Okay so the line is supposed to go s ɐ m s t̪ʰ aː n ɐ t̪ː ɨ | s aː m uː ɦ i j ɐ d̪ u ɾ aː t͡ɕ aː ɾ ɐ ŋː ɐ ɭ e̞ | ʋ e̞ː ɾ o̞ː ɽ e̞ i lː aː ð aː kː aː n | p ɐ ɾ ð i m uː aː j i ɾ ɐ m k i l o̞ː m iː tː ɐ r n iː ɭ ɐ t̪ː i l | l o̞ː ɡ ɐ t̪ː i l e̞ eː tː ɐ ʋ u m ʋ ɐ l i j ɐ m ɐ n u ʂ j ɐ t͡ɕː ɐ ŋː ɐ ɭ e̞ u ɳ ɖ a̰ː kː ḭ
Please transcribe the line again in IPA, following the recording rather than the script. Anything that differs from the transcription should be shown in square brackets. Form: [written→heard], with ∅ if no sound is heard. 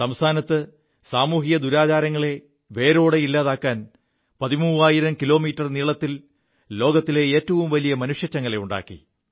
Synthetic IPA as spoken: s ɐ m s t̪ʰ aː n ɐ t̪ː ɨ | s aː m uː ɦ i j ɐ d̪ u ɾ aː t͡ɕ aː ɾ ɐ ŋː ɐ ɭ e̞ | ʋ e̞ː ɾ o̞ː ɽ e̞ i lː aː ð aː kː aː n | p ɐ [ɾ→∅] ð i m uː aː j i ɾ ɐ m k i l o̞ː m iː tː ɐ r n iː ɭ ɐ t̪ː i l | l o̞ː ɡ ɐ t̪ː i l e̞ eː tː ɐ ʋ u m ʋ ɐ l i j ɐ m ɐ n u ʂ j ɐ t͡ɕː ɐ ŋː ɐ ɭ e̞ u ɳ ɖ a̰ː kː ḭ